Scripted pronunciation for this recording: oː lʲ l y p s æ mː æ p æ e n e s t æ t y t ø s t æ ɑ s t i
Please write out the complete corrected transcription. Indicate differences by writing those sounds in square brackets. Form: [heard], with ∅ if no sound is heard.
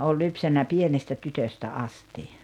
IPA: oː lʲ l y p s æ [nː] æ p [i] e n e s t æ t y t ø s t æ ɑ s t i

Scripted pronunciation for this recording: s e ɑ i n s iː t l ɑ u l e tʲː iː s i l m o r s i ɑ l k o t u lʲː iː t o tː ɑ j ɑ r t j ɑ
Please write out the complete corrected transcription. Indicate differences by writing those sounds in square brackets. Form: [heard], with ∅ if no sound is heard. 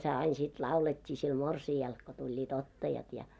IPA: s e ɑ i n s [i] t l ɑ u l e tʲː iː s i l m o r s i ɑ l k o t u lʲː iː t o tː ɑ j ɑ [∅] t j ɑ

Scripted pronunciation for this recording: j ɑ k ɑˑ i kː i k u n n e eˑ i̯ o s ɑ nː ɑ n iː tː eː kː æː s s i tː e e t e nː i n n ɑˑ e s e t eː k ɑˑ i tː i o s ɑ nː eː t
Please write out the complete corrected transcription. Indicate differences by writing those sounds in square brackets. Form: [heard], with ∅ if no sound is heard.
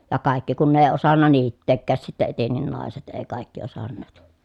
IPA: j ɑ k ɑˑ i kː i k u n n e eˑ i̯ o s ɑ nː ɑ n iː tː eː kː æː s s i tː e e t e nː i n n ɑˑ e s e t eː k ɑˑ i [kː] i o s ɑ nː eː t

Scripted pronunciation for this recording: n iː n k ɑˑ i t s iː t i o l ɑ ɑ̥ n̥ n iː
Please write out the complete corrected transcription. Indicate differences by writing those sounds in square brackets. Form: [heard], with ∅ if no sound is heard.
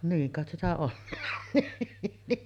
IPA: n iː [ŋ] k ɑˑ [e] t s [i] t [æ] o [lː] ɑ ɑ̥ n̥ n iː

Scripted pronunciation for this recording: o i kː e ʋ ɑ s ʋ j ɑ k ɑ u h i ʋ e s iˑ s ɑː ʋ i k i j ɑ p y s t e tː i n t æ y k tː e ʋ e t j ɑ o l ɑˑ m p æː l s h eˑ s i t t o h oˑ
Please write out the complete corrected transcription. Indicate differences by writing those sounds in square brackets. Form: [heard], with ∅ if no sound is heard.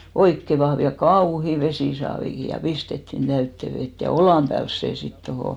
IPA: o i kː e ʋ ɑ [h] ʋ j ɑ k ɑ u h i ʋ e s iˑ s ɑː ʋ i k i j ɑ p [i] s t e tː i n t æ y [∅] tː e ʋ e t j ɑ o l ɑˑ m p æː l s [s] eˑ s i t t o h oˑ

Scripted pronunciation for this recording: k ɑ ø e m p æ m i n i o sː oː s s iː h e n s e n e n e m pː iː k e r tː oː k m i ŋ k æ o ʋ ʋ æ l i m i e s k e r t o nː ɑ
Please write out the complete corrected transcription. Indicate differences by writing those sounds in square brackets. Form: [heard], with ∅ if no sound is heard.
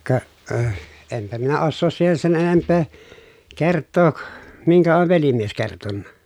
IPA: k ɑ ø e m p æ m i n [æ] o sː oː s s iː h e n s e n e n e m pː [eː] k e r tː oː k m i ŋ k æ o ʋ ʋ [e] l i m i e s k e r t o nː ɑ

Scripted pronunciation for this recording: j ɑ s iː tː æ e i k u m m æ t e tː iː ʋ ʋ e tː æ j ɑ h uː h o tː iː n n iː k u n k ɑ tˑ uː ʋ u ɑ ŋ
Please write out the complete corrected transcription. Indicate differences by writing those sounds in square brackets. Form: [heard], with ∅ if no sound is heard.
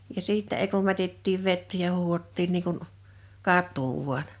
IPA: j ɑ s iː tː æ e i k u m m æ t e tː iː ʋ ʋ e tː æ j ɑ h uː h o tː iː n n iː k u n k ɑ tˑ uː ʋ u ɑ [n]

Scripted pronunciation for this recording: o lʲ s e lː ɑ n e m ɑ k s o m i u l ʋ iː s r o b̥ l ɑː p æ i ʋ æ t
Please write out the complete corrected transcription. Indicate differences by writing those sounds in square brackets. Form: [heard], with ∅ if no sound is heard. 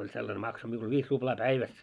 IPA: o lʲ s e lː ɑ n e m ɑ k s o m i u l ʋ iː s r [u] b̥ l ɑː p æ i ʋ æ [s]

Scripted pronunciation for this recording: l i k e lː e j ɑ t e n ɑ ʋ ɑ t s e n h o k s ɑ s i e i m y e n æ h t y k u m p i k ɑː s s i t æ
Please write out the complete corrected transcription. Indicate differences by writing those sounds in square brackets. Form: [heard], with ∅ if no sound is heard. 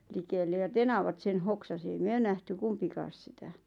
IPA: l i k e lː e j ɑ t e n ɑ ʋ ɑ t s e n h o k s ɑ s i e i m y [ø] n æ h t y k u m p i k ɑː s s i t æ

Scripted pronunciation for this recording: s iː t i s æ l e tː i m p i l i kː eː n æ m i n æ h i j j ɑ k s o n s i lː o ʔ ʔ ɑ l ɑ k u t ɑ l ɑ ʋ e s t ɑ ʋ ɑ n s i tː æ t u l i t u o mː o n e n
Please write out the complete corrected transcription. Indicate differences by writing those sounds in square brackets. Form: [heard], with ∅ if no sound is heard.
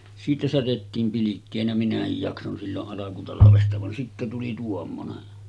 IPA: s iː t [æ] s æ [r] e tː [iː] m p i l i kː eː n æ m i n æ h i j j ɑ k s o n s i lː o ʔ ʔ ɑ l ɑ k u t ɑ l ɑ ʋ e s t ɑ ʋ ɑ n s i tː æ t u l i t u o mː o n e n

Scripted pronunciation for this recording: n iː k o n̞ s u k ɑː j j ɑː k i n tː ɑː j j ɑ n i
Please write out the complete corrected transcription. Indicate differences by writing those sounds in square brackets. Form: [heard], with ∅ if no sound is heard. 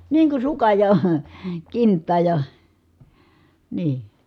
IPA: n iː k [u] n̞ s u k [ɑ] j j [ɑ] k i n tː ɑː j j ɑ n [iː]

